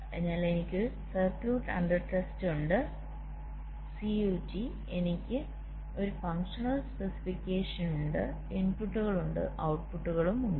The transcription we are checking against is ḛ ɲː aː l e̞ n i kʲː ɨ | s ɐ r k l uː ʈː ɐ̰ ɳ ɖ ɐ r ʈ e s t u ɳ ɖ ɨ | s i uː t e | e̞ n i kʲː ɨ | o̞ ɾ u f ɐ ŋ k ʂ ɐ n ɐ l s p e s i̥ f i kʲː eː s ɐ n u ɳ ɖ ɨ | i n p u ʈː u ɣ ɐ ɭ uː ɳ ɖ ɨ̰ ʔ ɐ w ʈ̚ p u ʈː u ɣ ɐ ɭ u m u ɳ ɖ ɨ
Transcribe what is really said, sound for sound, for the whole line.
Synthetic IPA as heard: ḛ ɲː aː l e̞ n i kʲː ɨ | s ɐ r k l uː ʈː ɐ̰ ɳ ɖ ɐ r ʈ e s t u ɳ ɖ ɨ | s i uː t i | e̞ n i kʲː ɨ | o̞ ɾ u f ɐ ŋ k ʂ ɐ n ɐ l s p e s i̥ f i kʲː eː ʂ ɐ n u ɳ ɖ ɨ | i n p u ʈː u ɣ ɐ ɭ u ɳ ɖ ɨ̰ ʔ ɐ w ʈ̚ p u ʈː u ɣ ɐ ɭ u m u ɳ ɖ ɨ